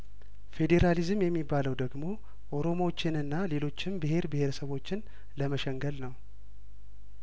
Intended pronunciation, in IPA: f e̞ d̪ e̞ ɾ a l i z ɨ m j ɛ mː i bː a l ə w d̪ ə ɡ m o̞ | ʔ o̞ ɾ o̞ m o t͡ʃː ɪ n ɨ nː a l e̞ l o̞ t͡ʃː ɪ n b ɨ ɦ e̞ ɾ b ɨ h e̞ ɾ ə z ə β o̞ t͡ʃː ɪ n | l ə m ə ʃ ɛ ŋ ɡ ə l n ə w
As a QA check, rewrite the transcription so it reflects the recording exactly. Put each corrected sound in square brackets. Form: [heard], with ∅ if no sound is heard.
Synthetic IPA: f e̞ d̪ e̞ ɾ a l i z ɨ m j ɛ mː i bː a l ə w d̪ ə ɡ m o̞ | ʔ o̞ ɾ o̞ m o t͡ʃː ɪ n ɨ nː a l e̞ l o̞ t͡ʃː ɪ [m] b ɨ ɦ e̞ ɾ b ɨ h e̞ ɾ ə [s] ə β o̞ t͡ʃː ɪ n | l ə m ə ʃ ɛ ŋ ɡ ə l n ə w